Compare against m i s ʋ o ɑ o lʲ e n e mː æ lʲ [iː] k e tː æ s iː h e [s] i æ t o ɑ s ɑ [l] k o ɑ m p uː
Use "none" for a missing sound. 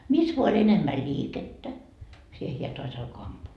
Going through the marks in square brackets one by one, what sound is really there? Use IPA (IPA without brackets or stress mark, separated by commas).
iː, h, l